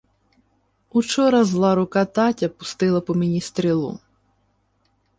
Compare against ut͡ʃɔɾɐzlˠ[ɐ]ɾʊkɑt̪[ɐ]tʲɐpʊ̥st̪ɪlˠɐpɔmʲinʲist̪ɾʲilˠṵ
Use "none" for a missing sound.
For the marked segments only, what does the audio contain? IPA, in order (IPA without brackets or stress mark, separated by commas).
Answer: ɑ, ɑ